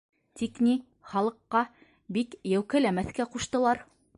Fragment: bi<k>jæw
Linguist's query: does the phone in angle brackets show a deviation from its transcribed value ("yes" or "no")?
no